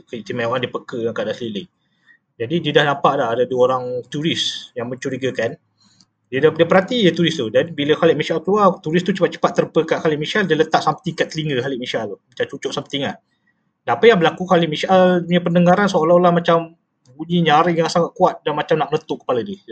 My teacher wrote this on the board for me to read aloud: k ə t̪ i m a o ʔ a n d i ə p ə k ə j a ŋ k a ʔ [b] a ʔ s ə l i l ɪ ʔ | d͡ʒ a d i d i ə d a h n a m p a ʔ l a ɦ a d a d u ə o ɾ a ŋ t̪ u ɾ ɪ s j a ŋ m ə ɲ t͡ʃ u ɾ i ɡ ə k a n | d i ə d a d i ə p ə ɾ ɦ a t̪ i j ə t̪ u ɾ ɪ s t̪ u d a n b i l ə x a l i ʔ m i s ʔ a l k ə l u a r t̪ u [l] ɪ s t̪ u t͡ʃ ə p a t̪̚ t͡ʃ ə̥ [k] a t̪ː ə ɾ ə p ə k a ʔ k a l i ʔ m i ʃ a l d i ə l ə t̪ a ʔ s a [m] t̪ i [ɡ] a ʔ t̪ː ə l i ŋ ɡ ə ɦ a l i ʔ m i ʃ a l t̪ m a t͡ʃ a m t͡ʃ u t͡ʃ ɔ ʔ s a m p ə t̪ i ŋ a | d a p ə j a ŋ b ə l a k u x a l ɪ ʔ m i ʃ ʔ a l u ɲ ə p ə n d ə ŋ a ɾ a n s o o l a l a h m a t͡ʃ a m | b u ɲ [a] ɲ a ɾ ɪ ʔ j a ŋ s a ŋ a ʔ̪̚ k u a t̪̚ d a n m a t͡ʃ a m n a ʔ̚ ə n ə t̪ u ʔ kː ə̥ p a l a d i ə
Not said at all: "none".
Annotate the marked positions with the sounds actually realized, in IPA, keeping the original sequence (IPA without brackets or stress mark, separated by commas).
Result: d, ɾ, p, m, k, i